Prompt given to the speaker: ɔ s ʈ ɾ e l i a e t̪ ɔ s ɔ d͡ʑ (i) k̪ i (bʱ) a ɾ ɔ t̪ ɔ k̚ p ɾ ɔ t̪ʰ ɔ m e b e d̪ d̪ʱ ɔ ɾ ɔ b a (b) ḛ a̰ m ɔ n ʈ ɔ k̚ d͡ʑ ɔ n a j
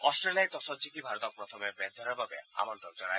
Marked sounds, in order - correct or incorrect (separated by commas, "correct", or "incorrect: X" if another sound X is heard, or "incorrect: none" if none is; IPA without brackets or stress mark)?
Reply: correct, correct, correct